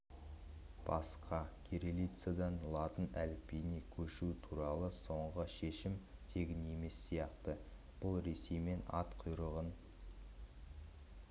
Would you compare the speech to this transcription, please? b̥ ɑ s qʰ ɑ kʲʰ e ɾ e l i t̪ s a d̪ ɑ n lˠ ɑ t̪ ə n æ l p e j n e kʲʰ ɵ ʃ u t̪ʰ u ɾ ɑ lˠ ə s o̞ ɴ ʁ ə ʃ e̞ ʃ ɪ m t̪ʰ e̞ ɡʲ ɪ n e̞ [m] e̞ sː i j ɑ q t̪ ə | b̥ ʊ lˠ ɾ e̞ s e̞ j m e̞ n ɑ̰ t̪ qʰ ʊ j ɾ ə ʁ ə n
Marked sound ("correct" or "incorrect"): correct